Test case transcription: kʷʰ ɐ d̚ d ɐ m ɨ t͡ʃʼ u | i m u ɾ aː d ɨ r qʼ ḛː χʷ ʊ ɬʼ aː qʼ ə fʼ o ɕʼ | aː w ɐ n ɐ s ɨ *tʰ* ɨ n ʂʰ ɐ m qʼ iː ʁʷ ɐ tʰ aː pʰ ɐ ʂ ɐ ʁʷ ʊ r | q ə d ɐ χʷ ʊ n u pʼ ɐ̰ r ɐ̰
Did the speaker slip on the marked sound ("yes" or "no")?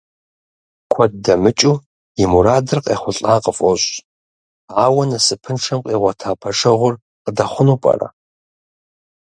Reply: yes